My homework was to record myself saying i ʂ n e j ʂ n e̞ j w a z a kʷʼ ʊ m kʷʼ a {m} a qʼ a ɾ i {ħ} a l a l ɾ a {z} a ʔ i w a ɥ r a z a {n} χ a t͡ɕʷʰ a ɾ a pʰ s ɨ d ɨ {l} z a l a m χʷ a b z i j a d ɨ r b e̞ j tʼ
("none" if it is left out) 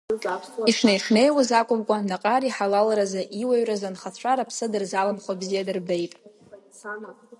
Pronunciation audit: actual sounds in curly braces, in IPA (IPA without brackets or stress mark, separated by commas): n, ħ, z, n, r